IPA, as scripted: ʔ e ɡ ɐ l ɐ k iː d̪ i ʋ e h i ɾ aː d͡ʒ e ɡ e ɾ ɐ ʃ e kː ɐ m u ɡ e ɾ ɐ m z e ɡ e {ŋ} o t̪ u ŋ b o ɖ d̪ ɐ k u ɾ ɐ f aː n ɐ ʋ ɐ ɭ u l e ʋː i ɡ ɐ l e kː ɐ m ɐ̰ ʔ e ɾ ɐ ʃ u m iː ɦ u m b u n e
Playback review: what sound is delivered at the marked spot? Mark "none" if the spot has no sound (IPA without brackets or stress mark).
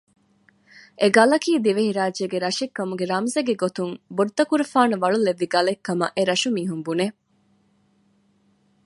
ɡ